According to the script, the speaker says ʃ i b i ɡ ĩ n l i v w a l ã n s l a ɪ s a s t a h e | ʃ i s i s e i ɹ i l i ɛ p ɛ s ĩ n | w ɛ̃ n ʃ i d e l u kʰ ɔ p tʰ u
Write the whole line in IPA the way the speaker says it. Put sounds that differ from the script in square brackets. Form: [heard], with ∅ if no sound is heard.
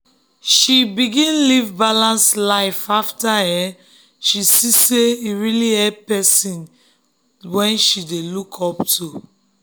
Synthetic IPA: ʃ i b i ɡ ĩ n l i v [b] a l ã n s l a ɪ [f] a [f] t a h [ɛ] | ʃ i s i s e i ɹ i l i ɛ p ɛ s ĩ n | w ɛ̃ n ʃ i d e l u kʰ ɔ p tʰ u